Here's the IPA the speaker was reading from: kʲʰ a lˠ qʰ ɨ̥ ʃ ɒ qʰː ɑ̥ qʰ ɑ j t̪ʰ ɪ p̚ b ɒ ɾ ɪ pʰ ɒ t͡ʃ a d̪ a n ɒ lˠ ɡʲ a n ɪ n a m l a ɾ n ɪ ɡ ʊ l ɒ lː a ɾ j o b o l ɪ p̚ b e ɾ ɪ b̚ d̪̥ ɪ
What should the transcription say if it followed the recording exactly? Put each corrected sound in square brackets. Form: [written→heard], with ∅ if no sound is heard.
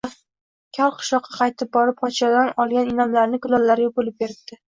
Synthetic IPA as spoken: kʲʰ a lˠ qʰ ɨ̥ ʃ ɒ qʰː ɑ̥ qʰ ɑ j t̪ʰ ɪ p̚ b ɒ ɾ ɪ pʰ ɒ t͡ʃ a d̪ a n ɒ lˠ ɡʲ a n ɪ n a m l a ɾ n ɪ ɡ ʊ l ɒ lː a ɾ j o b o l ɪ p̚ b e ɾ ɪ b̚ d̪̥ ɪ